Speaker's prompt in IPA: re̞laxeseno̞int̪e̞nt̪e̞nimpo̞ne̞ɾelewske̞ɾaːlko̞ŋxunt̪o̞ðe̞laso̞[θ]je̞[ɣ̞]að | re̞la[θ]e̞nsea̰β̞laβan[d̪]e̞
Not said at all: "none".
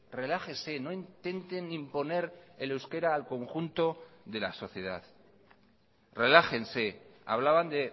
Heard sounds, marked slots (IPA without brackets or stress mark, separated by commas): θ, ð̞, x, d̪